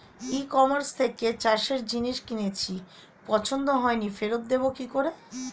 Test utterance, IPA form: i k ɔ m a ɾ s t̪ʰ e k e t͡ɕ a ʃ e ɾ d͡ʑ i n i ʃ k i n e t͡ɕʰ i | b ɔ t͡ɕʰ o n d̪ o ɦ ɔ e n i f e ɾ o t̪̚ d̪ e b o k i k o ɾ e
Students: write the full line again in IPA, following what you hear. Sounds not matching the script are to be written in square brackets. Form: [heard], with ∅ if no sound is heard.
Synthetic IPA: i k ɔ m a ɾ s t̪ʰ e k e t͡ɕ a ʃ e ɾ d͡ʑ i n i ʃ k i n e t͡ɕʰ i | [p] ɔ t͡ɕʰ o n d̪ o ɦ ɔ e n i f e ɾ o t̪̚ d̪ e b o k i k o ɾ e